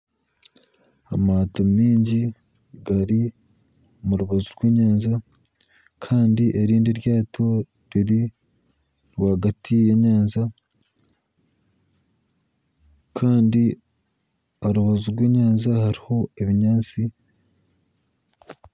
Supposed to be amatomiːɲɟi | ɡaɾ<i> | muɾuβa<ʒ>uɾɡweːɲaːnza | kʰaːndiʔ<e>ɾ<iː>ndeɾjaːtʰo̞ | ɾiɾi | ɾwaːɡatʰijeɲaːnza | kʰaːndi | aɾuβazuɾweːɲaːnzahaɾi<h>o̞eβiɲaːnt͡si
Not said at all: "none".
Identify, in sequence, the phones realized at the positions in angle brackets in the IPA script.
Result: i, z, e, iː, h

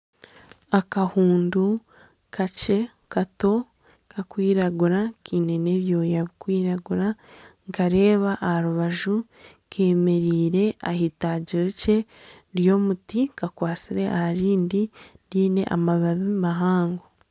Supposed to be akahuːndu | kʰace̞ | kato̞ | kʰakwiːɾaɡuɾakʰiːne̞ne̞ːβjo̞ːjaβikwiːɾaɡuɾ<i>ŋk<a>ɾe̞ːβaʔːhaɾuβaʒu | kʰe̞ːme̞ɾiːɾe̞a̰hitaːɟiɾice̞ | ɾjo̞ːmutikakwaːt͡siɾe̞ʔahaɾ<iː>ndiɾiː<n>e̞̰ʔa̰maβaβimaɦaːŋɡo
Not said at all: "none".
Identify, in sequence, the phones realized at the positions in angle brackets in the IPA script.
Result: a, a, iː, n

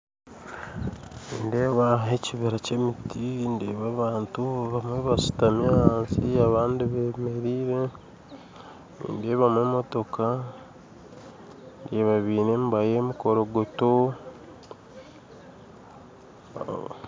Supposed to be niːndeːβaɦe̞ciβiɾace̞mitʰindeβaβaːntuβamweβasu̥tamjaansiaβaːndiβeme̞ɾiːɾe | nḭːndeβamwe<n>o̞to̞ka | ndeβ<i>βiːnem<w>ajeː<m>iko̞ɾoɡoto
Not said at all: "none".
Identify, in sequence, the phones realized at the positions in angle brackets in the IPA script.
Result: m, a, b, m

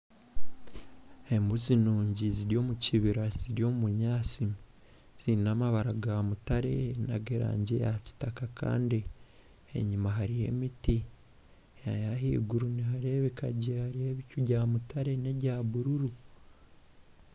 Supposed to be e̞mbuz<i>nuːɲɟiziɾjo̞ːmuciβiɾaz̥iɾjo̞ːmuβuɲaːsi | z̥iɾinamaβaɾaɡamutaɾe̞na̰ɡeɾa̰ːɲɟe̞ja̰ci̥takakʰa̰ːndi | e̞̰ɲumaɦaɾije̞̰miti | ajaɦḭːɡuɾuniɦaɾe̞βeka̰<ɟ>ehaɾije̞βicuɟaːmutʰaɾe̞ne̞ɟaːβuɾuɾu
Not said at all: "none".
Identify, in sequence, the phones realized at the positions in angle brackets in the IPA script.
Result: i, ɟ

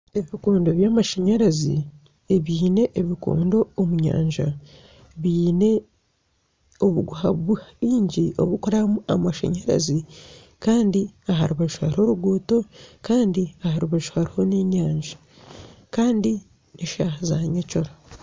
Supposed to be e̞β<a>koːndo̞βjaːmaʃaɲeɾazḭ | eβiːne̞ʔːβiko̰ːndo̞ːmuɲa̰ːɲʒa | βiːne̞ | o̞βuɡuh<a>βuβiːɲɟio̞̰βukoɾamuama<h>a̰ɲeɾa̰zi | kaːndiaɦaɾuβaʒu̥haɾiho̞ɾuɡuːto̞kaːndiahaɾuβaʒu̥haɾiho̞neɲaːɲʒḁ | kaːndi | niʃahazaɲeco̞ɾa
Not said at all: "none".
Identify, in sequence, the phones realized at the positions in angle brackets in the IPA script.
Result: i, a, ʃ

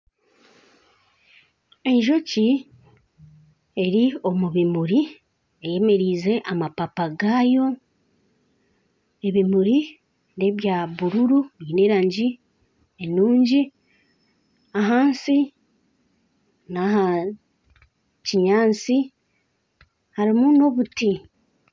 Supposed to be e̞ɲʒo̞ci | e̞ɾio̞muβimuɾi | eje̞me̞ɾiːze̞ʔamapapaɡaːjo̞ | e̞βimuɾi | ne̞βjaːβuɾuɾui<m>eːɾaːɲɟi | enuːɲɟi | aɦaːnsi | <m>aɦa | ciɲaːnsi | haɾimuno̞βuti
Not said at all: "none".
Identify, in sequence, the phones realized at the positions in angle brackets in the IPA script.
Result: n, n

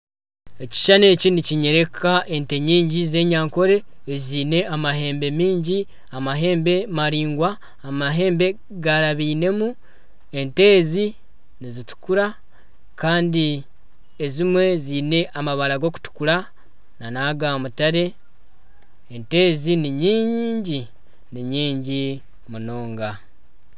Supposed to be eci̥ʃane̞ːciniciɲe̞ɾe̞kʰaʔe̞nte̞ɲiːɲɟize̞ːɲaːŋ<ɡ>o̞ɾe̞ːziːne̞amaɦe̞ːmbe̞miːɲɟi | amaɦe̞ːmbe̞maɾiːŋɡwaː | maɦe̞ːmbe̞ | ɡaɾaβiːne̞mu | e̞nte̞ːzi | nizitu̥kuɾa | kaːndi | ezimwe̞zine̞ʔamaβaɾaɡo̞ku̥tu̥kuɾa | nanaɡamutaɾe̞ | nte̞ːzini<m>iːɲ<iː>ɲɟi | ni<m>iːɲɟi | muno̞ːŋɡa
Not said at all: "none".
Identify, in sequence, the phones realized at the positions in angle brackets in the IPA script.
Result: k, ɲ, iː, ɲ

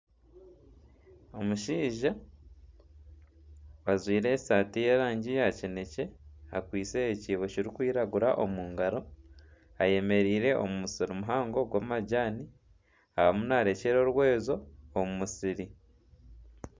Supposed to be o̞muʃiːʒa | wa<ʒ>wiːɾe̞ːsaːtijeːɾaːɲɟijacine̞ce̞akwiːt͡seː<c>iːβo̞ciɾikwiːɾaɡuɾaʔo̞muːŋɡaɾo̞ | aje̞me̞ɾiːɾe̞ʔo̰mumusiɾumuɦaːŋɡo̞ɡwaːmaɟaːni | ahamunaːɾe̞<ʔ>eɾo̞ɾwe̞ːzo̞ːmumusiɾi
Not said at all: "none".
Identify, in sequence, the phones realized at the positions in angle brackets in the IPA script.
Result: z, c, c

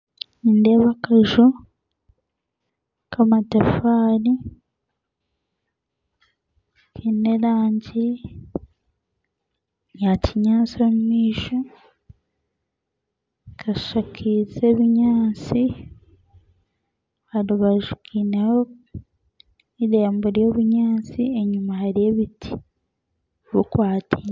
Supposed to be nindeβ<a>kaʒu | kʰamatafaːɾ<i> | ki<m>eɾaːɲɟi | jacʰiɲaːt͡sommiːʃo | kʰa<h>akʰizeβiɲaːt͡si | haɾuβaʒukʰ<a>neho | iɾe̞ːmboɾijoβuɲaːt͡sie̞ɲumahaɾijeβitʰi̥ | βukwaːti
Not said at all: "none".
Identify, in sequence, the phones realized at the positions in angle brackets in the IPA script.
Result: a, i, n, ʃ, i

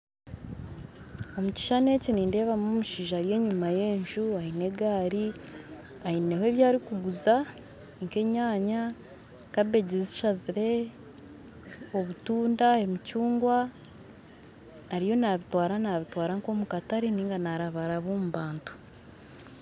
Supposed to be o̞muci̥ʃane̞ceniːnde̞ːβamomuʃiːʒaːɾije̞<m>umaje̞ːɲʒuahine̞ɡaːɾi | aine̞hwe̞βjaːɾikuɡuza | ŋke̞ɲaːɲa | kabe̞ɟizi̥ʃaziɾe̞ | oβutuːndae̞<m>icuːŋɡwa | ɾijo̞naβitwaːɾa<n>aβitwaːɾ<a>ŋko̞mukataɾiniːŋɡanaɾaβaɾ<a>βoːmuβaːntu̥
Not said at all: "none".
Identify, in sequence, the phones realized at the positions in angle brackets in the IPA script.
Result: ɲ, m, n, a, a

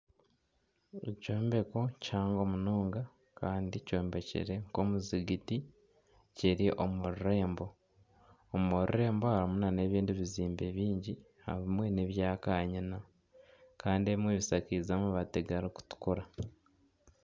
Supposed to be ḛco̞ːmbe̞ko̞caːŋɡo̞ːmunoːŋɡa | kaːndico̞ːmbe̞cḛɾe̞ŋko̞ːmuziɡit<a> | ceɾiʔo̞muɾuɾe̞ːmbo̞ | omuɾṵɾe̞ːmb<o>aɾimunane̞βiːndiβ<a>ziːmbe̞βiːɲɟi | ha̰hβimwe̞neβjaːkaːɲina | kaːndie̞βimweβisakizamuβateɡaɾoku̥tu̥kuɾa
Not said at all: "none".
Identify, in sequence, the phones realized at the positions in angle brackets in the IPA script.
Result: i, o, i

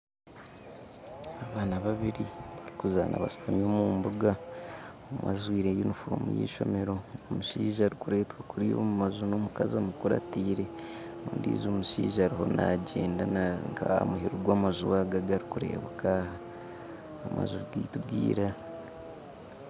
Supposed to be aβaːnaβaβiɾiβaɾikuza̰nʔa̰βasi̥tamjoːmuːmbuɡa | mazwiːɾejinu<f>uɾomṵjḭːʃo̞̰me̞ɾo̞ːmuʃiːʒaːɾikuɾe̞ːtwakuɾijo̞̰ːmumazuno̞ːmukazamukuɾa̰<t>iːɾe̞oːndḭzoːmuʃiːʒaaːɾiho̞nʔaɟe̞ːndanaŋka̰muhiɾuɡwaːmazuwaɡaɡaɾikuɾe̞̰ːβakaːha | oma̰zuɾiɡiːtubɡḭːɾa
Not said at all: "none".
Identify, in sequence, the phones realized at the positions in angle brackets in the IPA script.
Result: f, t

